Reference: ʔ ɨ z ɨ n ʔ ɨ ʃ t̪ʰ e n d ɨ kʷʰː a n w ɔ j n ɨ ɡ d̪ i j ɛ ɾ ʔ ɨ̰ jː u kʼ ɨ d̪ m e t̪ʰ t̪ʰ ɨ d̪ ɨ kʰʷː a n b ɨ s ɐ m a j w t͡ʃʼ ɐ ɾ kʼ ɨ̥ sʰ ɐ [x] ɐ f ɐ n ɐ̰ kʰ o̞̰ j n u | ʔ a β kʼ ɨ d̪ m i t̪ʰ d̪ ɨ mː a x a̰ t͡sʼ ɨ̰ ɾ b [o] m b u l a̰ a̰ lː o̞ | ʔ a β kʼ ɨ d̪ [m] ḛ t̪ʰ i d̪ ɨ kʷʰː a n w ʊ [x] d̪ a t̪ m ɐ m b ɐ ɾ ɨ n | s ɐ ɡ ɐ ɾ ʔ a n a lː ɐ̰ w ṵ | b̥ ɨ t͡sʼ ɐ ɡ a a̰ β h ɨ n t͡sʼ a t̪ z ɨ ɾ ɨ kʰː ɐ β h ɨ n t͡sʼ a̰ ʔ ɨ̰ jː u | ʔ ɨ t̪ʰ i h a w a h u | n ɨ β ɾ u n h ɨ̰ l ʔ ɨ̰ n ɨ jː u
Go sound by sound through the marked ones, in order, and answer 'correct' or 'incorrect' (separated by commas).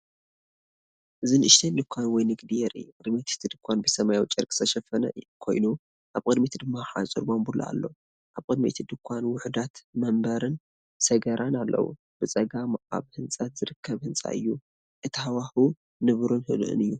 incorrect, correct, correct, incorrect